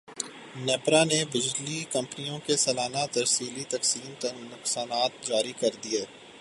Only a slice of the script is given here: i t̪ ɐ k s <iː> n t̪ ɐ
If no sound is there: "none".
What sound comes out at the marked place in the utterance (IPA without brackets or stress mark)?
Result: iː